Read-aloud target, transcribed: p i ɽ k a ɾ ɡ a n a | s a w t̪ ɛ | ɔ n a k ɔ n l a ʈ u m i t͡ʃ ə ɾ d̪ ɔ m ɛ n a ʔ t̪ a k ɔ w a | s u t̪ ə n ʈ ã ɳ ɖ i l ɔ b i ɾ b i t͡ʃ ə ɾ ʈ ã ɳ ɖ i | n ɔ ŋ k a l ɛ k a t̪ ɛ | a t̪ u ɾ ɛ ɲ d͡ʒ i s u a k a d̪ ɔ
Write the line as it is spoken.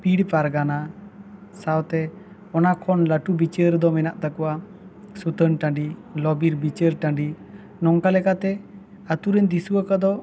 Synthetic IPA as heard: p i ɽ p a ɾ ɡ a n a | s a w t̪ ɛ | ɔ n a kʰ ɔ n l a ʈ u b i t͡ʃ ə ɾ d̪ ɔ m ɛ n a ʔ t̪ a k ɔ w a | s u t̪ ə n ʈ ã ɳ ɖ i l ɔ b i ɾ b i t͡ʃ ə ɾ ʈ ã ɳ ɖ i | n ɔ ŋ k a l ɛ k a t̪ ɛ | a t̪ u ɾ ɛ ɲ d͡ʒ i s u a k a d̪ ɔ